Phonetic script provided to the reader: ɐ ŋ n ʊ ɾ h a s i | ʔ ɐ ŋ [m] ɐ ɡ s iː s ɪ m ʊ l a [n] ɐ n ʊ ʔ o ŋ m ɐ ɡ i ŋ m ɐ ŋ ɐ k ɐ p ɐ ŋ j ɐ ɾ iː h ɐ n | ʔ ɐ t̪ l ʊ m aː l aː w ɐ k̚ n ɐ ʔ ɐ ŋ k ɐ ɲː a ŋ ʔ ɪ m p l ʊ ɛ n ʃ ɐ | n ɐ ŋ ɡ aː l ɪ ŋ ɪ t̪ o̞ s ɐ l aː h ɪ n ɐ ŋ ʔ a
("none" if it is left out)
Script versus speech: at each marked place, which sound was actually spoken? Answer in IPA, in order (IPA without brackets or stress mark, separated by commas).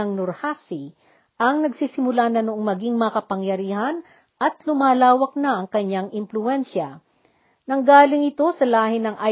n, n